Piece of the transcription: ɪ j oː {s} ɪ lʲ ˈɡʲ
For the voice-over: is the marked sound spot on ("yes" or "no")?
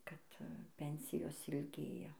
yes